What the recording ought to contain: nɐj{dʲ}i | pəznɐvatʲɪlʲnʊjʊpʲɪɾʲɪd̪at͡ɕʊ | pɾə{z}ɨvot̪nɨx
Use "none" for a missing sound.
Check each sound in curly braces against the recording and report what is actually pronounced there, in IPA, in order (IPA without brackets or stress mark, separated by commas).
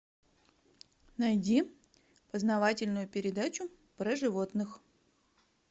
dʲ, ʐ